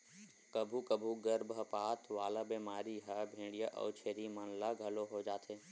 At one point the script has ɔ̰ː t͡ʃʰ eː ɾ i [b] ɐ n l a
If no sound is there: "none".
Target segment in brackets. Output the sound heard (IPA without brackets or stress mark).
m